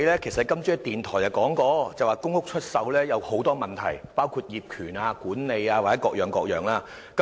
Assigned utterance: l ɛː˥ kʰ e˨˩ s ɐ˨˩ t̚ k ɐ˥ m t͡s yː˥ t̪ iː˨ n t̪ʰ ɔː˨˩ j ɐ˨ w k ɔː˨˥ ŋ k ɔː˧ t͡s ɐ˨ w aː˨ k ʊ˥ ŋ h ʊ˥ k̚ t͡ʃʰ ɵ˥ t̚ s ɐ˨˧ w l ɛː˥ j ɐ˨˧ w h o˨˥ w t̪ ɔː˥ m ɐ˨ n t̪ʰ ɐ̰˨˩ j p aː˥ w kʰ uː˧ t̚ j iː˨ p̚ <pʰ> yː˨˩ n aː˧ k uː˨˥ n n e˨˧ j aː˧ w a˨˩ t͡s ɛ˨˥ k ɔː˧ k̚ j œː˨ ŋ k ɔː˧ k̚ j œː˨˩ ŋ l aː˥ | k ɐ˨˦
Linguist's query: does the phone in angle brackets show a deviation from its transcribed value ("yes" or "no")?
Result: yes